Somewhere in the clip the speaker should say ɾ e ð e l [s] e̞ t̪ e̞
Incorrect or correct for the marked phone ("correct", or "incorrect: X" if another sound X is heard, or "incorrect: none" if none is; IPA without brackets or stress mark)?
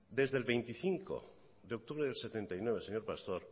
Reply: correct